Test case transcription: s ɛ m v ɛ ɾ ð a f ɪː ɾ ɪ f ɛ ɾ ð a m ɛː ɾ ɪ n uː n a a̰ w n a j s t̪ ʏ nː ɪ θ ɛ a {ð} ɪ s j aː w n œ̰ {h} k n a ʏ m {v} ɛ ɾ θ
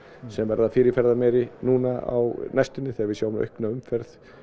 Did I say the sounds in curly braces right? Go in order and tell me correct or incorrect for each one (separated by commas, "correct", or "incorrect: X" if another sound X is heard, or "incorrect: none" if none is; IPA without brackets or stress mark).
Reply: incorrect: v, correct, incorrect: f